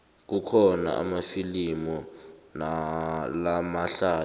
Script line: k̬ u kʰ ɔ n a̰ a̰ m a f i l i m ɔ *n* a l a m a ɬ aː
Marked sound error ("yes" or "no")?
no